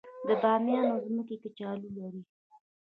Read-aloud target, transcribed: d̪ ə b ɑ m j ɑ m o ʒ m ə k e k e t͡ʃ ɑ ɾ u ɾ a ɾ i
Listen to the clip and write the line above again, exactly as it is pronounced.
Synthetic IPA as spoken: d̪ ə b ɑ m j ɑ n o z m ə k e k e t͡ʃ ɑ l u l a ɾ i